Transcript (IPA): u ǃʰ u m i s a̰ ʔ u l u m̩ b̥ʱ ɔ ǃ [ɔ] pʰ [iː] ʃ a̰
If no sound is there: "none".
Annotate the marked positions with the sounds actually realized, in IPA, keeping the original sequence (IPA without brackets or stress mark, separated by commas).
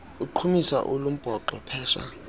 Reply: ɔ, ɛː